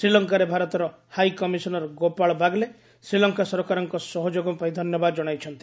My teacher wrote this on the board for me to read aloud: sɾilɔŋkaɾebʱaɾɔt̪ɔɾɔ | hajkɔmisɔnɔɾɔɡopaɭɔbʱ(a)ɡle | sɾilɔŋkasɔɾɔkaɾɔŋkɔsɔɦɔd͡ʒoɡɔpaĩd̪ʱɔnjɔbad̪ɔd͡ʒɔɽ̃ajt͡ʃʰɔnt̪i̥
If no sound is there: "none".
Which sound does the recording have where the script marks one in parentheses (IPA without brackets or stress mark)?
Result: a